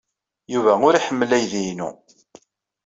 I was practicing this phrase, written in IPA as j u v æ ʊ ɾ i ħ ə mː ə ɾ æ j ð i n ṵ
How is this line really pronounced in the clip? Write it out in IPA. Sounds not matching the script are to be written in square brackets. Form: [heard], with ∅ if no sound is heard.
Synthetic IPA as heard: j u v æ ʊ ɾ i ħ ə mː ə [l] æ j ð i n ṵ